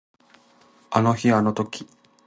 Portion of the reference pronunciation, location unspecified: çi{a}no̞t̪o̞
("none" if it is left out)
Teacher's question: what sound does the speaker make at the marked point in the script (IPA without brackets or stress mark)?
a